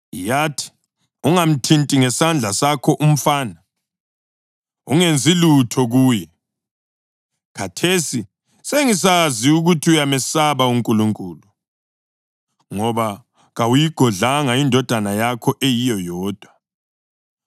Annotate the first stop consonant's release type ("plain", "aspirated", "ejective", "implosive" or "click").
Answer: aspirated